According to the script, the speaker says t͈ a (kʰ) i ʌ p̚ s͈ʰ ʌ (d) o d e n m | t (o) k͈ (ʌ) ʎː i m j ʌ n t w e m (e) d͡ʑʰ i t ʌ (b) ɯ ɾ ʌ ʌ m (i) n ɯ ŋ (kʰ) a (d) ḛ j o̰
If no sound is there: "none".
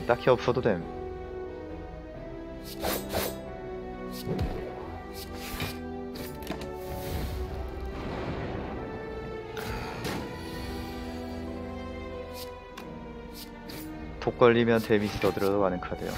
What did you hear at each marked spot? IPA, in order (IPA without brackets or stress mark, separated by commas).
kʰ, d, o, ʌ, i, d, a, kʰ, d